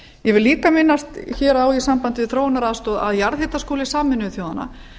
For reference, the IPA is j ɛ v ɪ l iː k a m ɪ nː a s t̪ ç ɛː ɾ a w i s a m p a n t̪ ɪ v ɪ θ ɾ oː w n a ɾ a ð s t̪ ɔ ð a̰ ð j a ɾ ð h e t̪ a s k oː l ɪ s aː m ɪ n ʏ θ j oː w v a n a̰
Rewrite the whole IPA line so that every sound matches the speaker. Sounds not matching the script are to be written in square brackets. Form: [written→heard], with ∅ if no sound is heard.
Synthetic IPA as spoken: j ɛ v ɪ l iː k a m ɪ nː a s t̪ ç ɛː ɾ a w i s a m p a n t̪ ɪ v ɪ θ ɾ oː w n a ɾ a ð s t̪ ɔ ð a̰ ð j a ɾ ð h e t̪ a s k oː l ɪ s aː m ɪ n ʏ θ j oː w [v→ð] a n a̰